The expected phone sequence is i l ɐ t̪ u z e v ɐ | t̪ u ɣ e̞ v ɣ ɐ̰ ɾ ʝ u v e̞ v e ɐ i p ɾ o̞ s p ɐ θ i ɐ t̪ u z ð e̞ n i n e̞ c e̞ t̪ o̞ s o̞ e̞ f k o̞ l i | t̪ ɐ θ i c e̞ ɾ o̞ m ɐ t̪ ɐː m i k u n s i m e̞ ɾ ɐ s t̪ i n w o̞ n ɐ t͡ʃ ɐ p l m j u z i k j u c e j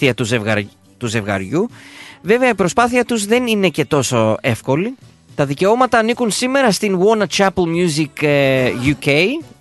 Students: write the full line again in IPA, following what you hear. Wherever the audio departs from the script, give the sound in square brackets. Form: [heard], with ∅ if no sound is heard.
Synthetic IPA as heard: i [∅] ɐ t̪ u z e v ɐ | t̪ u [z] e̞ v ɣ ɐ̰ ɾ ʝ u v e̞ v e ɐ i p ɾ o̞ s p ɐ θ i ɐ t̪ u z ð e̞ n i n e̞ c e̞ t̪ o̞ s o̞ e̞ f k o̞ l i | t̪ ɐ [ð] i c e̞ [∅] o̞ m ɐ t̪ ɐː [n] i k u n s i m e̞ ɾ ɐ s t̪ i n w o̞ n ɐ t͡ʃ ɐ p l m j u z i k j u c e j